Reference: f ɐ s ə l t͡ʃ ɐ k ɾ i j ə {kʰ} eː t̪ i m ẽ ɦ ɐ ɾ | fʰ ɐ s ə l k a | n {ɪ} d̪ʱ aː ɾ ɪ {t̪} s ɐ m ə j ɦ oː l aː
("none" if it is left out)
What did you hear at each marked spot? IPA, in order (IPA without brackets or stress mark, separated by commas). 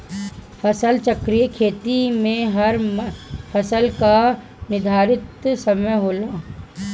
kʰ, ɪ, t̪